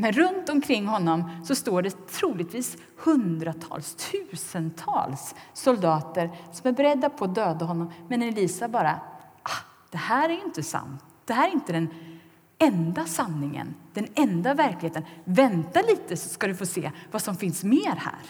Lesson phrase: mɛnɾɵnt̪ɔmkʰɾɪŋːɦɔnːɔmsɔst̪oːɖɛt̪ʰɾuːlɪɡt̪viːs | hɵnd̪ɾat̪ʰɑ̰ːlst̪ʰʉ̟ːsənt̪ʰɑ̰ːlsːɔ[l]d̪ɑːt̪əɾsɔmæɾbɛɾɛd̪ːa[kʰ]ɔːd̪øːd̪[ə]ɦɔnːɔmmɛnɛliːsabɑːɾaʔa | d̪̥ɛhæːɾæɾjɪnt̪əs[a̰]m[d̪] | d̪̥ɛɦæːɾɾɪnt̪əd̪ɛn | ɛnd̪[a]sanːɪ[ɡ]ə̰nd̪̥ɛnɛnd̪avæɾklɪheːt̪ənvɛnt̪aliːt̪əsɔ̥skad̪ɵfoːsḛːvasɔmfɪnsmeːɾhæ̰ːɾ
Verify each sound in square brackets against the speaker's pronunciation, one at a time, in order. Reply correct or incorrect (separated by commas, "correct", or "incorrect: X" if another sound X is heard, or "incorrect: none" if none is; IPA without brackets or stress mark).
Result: correct, incorrect: pʰ, incorrect: a, correct, incorrect: t̪, correct, incorrect: ŋ